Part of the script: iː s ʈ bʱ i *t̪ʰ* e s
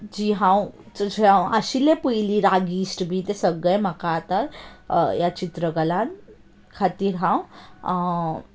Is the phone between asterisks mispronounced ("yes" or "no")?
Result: yes